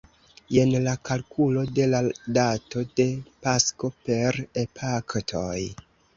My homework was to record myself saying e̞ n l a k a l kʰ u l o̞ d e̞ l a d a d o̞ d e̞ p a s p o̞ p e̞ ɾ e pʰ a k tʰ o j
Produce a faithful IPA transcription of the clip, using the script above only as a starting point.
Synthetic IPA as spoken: e̞ n l a k a l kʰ u l o̞ d e̞ l a d a t o̞ d e̞ p a s k o̞ p e̞ ɾ e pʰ a k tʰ o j